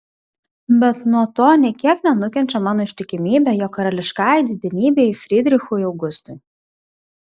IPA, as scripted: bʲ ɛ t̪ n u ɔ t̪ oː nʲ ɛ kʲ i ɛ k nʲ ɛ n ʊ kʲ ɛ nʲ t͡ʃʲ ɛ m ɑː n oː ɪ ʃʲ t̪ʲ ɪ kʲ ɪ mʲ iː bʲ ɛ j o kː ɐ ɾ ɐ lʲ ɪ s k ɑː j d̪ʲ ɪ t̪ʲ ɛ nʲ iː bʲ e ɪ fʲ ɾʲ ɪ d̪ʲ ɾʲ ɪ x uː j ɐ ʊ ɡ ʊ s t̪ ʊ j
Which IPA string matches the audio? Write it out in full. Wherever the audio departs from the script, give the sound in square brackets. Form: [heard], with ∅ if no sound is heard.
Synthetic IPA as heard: bʲ ɛ t̪ n u ɔ t̪ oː nʲ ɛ kʲ i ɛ k nʲ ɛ n ʊ kʲ ɛ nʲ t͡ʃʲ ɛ m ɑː n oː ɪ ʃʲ t̪ʲ ɪ kʲ ɪ mʲ iː bʲ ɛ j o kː ɐ ɾ ɐ lʲ ɪ [ʃ] k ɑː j d̪ʲ ɪ [d̪ʲ] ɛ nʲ iː bʲ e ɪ fʲ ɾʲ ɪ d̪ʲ ɾʲ ɪ x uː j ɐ ʊ ɡ ʊ s t̪ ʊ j